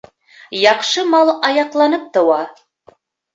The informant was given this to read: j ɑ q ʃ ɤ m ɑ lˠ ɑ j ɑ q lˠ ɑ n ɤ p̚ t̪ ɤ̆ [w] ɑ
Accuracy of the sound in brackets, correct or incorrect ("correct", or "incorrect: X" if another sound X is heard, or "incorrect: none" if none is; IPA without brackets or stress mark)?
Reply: correct